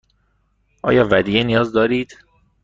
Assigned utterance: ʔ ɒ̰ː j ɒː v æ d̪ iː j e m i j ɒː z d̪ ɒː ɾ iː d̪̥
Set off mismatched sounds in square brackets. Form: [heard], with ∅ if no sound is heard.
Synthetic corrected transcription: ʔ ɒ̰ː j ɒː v æ d̪ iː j e [n] i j ɒː z d̪ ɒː ɾ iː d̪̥